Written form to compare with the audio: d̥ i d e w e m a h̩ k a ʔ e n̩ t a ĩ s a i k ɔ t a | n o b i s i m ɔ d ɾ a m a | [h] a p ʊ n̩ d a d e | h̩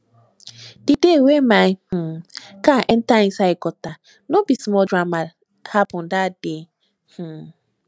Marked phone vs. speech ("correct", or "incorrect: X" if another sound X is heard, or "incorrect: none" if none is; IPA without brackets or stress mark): correct